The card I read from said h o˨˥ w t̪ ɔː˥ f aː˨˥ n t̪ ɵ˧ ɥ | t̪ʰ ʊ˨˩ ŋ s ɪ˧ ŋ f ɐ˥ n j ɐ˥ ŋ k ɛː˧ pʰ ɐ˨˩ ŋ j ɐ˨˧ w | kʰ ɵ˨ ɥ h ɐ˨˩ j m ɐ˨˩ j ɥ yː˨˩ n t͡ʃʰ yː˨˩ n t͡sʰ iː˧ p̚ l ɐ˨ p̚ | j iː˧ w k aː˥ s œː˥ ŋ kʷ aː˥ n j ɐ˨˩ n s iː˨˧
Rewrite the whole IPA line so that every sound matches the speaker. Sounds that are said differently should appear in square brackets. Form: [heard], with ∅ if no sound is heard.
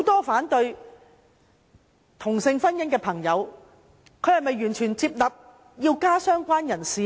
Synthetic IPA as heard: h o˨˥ w t̪ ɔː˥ f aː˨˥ n t̪ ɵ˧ ɥ | t̪ʰ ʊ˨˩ ŋ s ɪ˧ ŋ f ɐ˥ n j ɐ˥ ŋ k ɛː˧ pʰ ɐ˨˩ ŋ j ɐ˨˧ w | kʰ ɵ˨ ɥ h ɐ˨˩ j m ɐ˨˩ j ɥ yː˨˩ n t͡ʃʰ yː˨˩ n [t͡s] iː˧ p̚ l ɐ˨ p̚ | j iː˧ w k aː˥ s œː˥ ŋ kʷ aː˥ n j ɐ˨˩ n s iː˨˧